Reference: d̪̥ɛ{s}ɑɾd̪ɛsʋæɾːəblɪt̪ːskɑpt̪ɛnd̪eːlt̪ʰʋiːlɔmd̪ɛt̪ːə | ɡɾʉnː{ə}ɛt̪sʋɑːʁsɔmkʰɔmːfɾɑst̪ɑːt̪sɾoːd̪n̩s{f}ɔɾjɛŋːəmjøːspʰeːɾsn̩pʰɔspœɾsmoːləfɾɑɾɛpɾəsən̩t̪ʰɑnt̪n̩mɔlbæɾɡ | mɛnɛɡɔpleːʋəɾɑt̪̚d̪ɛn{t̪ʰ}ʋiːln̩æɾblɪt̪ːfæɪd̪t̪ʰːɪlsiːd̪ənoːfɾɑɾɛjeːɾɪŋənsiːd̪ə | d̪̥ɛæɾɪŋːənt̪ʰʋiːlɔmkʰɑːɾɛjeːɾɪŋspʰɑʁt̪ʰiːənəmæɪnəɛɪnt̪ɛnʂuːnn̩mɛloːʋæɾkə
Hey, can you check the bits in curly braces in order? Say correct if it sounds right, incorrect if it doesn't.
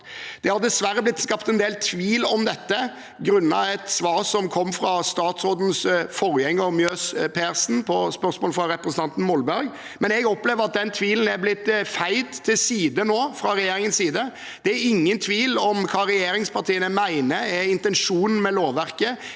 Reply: incorrect, incorrect, correct, correct

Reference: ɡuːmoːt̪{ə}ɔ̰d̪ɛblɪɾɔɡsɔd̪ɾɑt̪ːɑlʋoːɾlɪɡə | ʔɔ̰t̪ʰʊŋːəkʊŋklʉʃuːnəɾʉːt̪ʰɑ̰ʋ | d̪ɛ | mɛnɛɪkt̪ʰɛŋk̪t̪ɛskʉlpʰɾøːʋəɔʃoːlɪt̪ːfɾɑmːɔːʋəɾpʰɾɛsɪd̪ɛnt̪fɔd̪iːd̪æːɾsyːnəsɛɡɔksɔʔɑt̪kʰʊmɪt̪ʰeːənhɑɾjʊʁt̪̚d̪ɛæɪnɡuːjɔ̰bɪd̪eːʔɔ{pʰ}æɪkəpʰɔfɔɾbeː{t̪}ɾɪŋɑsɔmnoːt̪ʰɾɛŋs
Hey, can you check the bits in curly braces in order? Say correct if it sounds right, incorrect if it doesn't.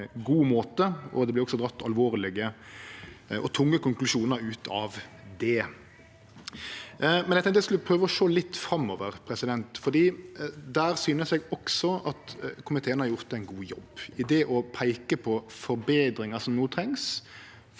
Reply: correct, correct, incorrect

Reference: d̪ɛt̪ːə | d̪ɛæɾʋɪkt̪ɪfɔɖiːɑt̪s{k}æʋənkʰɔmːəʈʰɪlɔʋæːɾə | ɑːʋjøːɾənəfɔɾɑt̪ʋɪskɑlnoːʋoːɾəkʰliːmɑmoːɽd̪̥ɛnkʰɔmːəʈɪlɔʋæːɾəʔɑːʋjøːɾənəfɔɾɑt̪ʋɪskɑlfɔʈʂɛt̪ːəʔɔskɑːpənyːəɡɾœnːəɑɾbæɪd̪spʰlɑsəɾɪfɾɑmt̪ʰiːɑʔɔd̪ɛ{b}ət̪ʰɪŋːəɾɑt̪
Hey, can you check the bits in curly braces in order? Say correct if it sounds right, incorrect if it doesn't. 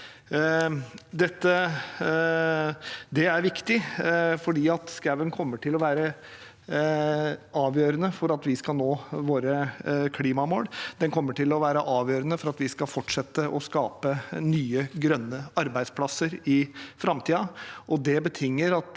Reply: correct, correct

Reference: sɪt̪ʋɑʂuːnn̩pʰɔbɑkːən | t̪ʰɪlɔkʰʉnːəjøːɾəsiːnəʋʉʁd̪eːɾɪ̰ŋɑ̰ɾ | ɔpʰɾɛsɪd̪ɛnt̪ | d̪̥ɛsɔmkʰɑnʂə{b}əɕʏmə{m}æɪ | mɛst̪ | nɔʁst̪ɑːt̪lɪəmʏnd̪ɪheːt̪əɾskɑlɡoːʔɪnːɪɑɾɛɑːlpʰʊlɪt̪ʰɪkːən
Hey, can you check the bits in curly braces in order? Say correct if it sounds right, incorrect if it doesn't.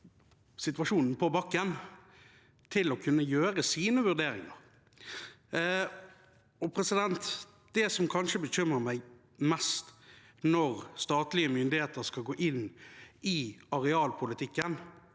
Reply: correct, correct

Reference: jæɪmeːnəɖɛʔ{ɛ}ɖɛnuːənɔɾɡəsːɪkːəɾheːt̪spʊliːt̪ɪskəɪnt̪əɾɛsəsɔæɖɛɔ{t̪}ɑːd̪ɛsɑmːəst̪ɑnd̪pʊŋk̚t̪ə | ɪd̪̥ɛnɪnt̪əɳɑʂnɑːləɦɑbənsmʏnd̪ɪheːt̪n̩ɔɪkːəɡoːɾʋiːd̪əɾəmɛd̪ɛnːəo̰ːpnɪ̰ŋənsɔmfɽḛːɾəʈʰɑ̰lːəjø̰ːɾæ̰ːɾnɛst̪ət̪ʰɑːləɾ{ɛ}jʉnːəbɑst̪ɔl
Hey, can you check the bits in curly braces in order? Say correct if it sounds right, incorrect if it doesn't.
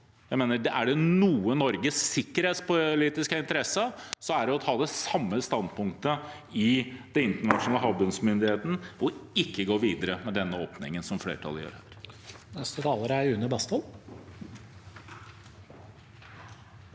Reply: incorrect, incorrect, incorrect

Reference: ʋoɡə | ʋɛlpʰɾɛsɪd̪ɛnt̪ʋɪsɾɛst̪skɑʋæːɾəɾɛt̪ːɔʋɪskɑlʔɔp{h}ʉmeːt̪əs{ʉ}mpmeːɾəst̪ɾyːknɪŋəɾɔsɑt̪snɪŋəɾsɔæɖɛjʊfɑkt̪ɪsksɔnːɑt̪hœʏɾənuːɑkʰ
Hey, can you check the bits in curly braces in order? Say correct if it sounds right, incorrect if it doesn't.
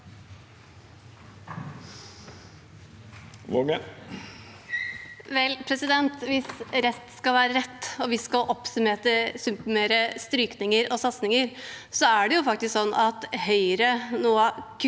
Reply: incorrect, correct

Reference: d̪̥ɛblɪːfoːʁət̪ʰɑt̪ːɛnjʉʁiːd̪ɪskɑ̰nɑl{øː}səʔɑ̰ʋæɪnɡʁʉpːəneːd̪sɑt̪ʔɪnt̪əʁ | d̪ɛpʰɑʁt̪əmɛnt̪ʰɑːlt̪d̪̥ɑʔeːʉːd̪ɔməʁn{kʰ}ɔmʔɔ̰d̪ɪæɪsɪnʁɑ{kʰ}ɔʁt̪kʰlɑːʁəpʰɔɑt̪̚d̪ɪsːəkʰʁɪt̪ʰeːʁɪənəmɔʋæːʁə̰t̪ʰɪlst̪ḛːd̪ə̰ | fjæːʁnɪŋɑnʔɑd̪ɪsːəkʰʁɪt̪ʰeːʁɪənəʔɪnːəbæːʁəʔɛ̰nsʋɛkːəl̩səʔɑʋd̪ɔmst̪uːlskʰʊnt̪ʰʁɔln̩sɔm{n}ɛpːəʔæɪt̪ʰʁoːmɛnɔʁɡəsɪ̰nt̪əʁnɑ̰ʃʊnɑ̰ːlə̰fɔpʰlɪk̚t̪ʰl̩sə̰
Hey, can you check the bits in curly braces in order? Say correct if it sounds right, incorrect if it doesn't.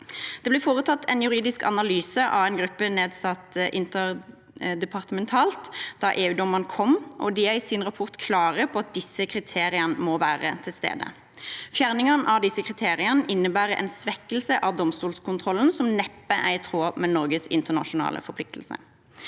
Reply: incorrect, correct, incorrect, correct

